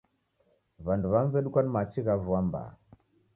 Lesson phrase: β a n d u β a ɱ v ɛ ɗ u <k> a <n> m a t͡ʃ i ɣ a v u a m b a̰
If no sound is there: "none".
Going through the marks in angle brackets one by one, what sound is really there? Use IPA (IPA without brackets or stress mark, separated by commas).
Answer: k, n